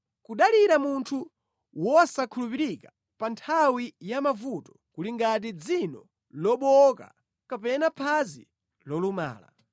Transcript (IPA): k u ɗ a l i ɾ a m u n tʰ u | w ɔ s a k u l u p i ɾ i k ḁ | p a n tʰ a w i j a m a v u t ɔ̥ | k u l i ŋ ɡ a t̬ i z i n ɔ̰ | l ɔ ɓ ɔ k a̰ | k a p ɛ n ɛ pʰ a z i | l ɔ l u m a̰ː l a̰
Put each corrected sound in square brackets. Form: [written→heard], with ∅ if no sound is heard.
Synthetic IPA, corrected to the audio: k u ɗ a l i ɾ a m u n tʰ u | w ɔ s a [k→kʰ] u l u p i ɾ i k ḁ | p a n tʰ a w i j a m a v u t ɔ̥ | k u l i ŋ ɡ a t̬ i [z→d͡z] i n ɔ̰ | l ɔ ɓ ɔ k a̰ | k a p ɛ n [ɛ→a] pʰ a z i | l ɔ l u m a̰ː l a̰